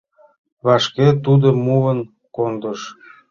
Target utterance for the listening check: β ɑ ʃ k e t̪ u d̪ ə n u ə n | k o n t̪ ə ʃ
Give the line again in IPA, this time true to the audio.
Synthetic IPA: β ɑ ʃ k e t̪ u d̪ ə m u ə n | k o n d̪ ə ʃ